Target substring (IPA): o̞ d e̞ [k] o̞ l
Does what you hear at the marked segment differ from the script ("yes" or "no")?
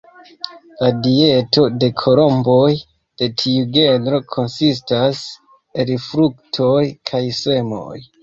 yes